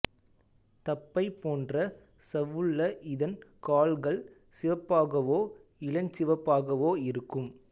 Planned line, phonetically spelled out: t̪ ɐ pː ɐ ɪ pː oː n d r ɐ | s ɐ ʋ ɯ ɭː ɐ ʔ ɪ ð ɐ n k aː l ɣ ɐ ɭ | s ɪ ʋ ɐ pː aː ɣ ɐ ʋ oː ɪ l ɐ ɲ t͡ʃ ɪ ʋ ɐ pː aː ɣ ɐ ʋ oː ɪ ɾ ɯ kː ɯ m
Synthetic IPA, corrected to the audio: t̪ ɐ pː ɐ ɪ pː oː n d r ɐ | s ɐ ʋ ɯ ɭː ɐ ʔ ɪ ð ɐ n k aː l ɣ ɐ ɭ | s ɪ ʋ ɐ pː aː ɣ ɐ ʋ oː ɪ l ɐ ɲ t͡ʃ ɪ ʋ ɐ pː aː ɣ ɐ ʋ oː ɪ ɾ ɯ kː ɯ m